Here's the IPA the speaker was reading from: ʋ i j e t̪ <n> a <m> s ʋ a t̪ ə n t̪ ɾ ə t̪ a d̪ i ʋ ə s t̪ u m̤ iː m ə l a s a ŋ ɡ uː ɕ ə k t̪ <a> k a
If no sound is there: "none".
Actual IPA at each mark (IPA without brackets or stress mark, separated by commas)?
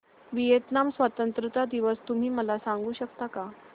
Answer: n, m, a